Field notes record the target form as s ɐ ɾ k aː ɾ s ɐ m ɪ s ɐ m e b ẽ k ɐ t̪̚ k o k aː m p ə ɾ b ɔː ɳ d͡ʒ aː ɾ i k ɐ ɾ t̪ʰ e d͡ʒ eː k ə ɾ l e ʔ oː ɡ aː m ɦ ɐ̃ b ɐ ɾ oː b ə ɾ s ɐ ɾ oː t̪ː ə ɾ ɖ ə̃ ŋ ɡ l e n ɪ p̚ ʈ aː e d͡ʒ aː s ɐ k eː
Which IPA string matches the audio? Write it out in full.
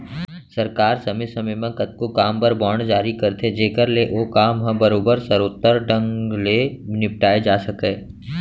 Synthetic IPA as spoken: s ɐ ɾ k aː ɾ s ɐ m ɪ s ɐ m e m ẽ k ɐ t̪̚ k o k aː m p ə ɾ b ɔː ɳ d͡ʒ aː ɾ i k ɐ ɾ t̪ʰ e d͡ʒ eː k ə ɾ l e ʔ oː k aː m ɦ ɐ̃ b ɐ ɾ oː b ə ɾ s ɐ ɾ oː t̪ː ə ɾ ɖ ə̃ ŋ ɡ l e n ɪ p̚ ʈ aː e d͡ʒ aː s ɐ k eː